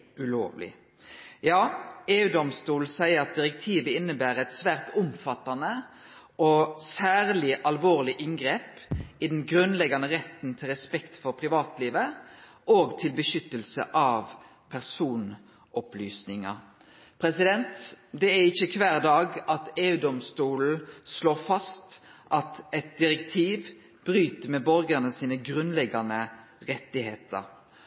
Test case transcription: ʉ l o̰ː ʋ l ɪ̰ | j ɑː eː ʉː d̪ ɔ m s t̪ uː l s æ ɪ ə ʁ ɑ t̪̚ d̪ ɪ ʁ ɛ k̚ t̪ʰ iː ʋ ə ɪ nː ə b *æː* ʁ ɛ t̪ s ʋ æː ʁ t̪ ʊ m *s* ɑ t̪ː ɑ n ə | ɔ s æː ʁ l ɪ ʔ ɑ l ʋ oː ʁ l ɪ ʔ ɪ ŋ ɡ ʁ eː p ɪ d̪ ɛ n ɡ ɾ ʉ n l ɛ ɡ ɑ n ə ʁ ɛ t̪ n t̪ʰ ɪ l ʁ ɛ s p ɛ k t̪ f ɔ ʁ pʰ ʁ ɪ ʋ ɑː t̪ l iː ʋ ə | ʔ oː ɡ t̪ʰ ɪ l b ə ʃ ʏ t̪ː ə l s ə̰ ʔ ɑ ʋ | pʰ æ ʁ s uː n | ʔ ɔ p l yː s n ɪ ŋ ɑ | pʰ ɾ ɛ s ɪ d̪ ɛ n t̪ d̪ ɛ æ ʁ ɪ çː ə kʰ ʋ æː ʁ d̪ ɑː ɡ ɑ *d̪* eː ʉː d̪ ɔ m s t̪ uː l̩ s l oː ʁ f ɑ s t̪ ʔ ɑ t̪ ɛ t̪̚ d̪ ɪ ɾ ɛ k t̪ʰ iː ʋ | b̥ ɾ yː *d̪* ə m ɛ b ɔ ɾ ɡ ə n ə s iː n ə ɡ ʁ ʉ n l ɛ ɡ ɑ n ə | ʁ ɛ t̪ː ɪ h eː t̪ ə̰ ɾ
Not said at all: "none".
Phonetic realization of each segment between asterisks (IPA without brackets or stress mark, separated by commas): æː, f, t̪, t̪